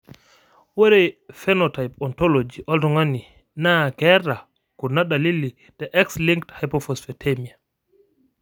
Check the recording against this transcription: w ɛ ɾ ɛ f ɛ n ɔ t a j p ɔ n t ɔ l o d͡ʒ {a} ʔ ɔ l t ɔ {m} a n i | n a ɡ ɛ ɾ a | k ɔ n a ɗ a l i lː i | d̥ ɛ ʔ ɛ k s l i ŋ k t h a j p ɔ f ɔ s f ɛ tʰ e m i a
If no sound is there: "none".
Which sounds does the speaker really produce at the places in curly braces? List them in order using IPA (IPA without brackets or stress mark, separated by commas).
i, ŋ